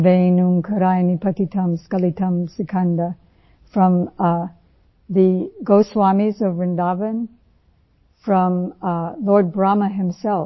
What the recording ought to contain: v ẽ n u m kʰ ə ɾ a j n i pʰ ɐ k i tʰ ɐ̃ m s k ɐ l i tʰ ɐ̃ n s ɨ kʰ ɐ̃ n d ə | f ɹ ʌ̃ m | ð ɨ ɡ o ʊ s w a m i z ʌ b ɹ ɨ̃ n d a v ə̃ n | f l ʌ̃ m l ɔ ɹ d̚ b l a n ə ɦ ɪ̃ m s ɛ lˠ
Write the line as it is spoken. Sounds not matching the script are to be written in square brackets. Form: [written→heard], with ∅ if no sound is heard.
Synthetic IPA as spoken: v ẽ n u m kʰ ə ɾ a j n i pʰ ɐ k i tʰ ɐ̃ m s k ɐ l i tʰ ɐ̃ [n→m] s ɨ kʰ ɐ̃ n d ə | f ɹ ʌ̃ m | ð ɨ ɡ o ʊ s w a m i z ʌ [b→v] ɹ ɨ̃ n d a v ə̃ n | f [l→ɹ] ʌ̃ m l ɔ ɹ d̚ b [l→ɹ] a [n→m] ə ɦ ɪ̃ m s ɛ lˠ